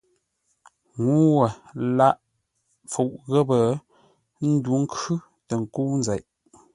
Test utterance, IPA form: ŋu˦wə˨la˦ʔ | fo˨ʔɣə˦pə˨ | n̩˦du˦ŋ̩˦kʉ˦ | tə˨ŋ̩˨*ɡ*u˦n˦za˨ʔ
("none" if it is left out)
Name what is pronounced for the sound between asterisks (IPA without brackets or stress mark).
k